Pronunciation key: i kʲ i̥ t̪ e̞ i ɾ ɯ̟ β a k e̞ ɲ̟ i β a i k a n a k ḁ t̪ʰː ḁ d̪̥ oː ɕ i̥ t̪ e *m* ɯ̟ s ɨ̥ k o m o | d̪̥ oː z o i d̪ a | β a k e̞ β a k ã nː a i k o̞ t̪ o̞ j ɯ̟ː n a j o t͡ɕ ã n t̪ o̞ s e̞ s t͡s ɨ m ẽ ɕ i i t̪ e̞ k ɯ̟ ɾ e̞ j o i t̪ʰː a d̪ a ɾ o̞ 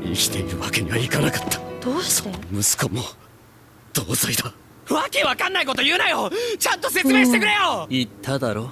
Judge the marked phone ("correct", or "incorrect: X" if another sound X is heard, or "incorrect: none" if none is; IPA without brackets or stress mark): correct